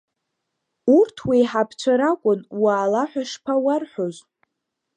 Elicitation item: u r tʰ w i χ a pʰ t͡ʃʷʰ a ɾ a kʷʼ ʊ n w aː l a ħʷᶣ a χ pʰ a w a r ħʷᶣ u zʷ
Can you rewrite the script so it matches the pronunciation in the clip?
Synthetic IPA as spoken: u r tʰ w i ħ a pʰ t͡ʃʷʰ a ɾ a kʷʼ ʊ n w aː l a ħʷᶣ a ʂ pʰ a w a r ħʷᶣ o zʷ